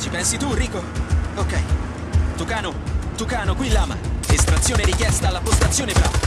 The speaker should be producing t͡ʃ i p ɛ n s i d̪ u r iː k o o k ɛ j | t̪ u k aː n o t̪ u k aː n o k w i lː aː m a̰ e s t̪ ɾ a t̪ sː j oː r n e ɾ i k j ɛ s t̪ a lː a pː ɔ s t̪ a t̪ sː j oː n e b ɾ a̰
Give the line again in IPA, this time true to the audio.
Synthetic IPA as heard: t͡ʃ i p ɛ n s i t̪ u r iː k o o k ɛ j | t̪ u k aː n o t̪ u k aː n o k w i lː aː m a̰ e s t̪ ɾ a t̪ sː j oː n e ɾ i k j ɛ s t̪ a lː a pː o s t̪ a t̪ sː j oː n e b ɾ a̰